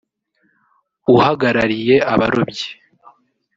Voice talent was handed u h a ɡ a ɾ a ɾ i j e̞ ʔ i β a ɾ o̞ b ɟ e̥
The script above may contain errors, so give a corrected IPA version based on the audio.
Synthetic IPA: u h a ɡ a ɾ a ɾ i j e̞ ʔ a β a ɾ o̞ b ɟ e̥